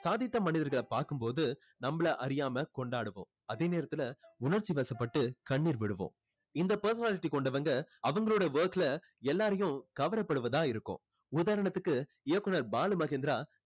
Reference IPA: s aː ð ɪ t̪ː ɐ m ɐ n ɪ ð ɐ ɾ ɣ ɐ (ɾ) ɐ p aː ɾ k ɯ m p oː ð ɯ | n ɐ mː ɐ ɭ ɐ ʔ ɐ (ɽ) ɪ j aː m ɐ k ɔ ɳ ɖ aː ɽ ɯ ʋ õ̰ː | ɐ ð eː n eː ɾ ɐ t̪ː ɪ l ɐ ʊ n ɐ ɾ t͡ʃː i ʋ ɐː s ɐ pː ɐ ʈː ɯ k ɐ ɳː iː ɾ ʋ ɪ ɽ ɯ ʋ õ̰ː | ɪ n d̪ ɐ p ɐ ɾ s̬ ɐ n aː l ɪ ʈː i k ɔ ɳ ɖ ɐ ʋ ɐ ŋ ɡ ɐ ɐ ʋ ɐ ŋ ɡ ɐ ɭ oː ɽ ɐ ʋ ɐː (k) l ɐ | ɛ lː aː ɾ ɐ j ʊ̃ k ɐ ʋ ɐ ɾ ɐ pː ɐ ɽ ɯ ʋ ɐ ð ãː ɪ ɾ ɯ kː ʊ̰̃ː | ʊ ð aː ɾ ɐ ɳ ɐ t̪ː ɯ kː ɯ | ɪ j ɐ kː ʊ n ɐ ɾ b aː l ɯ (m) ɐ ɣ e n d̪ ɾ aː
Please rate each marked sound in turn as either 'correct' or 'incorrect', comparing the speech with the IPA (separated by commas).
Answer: incorrect, incorrect, correct, correct